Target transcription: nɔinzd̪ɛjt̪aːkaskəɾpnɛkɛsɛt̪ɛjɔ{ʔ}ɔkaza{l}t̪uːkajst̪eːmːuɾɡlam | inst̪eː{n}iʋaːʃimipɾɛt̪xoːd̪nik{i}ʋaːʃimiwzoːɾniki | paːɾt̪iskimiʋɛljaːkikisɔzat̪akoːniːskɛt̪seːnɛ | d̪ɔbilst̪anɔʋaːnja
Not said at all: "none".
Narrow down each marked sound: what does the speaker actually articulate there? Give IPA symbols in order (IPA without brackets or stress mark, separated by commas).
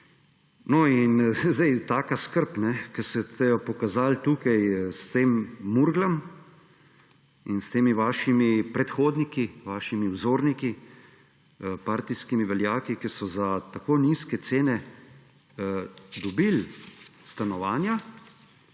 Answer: p, l, m, i